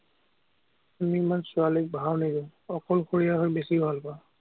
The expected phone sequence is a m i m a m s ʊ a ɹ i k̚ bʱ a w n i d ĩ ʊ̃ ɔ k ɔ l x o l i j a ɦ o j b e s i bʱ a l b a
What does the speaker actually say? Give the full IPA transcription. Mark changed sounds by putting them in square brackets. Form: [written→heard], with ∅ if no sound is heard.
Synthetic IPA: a m i m a [m→n] s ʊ a [ɹ→l] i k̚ bʱ a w n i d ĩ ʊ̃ ɔ k ɔ l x o [l→ɹ] i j a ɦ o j b e s i bʱ a l [b→p] a